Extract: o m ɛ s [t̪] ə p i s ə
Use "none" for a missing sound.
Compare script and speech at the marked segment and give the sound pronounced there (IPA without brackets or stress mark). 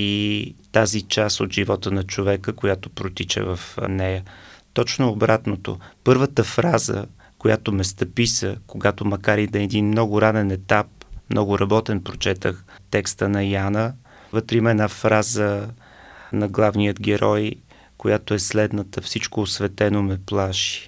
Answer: t̪